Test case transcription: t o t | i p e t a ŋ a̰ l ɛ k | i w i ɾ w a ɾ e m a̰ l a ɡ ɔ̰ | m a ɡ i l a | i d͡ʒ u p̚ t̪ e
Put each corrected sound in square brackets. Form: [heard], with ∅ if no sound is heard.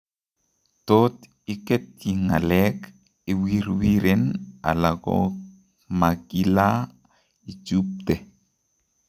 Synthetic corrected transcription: t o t | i [k] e t [i] ŋ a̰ l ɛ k | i w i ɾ w [i] ɾ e [n] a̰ l a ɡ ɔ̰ | m a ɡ i l a | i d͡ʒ u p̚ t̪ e